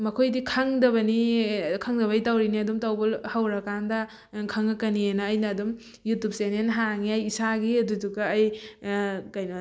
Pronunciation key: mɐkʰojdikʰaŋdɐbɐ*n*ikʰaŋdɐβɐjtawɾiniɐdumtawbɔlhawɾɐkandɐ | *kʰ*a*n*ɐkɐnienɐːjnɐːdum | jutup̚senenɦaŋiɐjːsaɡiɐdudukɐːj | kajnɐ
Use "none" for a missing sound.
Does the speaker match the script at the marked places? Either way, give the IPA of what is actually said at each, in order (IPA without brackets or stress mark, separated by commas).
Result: n, kʰ, ŋ